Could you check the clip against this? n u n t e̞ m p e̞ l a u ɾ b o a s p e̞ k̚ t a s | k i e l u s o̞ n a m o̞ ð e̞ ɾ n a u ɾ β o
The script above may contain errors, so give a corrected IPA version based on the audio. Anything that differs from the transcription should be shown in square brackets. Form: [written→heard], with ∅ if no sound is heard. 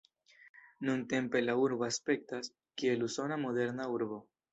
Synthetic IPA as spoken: n u n t e̞ m p e̞ l a u ɾ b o a s p e̞ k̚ t a s | k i e l u s o̞ n a m o̞ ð e̞ ɾ n a u ɾ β o

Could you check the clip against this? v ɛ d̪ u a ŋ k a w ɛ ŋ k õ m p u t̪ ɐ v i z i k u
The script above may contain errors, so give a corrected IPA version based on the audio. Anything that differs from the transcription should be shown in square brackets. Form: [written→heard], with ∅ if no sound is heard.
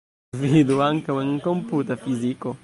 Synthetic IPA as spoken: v [ɛ→i] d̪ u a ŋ k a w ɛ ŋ k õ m p u t̪ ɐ [v→f] i z i k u

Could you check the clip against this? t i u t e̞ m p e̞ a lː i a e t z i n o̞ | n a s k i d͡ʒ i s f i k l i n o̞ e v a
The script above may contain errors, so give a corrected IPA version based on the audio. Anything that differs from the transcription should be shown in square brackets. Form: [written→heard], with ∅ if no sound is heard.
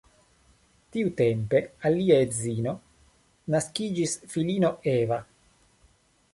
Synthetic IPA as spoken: t i u t e̞ m p e̞ a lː i a e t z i n o̞ | n a s k i d͡ʒ i s f i [k→∅] l i n o̞ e v a

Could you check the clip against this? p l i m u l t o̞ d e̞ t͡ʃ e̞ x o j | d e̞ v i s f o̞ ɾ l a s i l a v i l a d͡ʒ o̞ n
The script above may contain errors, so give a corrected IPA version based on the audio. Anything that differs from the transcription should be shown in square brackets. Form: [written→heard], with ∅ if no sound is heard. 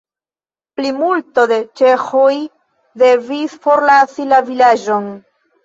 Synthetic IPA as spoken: p l i m u l t o̞ d e̞ t͡ʃ e̞ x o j | d e̞ v i s f o̞ ɾ l a s i l a v i l a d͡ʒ o̞ n

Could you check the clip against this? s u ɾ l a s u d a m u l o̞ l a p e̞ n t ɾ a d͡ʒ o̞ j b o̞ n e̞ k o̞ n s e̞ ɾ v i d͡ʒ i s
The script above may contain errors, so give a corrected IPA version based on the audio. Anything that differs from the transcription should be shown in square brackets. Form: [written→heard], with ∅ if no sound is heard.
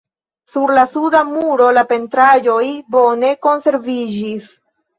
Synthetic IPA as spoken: s u ɾ l a s u d a m u [l→ɾ] o̞ l a p e̞ n t ɾ a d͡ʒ o̞ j b o̞ n e̞ k o̞ n s e̞ ɾ v i d͡ʒ i s

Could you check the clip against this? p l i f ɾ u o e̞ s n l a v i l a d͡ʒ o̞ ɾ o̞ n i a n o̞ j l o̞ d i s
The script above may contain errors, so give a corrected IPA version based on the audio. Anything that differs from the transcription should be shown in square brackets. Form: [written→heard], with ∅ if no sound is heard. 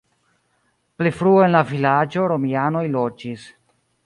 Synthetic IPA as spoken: p l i f ɾ u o e̞ [s→∅] n l a v i l a d͡ʒ o̞ ɾ o̞ [n→m] i a n o̞ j l o̞ [d→d͡ʒ] i s

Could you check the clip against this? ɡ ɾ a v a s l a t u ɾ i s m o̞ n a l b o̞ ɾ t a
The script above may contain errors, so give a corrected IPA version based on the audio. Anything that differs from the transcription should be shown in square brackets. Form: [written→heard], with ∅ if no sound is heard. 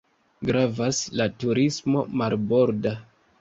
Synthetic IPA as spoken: ɡ ɾ a v a s l a t u ɾ i s m o̞ [n→m] a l b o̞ ɾ [t→d] a

